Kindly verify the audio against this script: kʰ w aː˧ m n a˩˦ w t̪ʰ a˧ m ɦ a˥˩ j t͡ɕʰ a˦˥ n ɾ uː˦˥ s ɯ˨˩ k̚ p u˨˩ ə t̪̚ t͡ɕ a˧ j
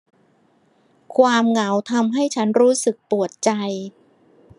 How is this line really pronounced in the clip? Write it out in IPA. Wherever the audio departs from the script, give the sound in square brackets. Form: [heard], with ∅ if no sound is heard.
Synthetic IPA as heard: kʰ w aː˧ m [ŋ] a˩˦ w t̪ʰ a˧ m ɦ a˥˩ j t͡ɕʰ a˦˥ n ɾ uː˦˥ s ɯ˨˩ k̚ p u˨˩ ə t̪̚ t͡ɕ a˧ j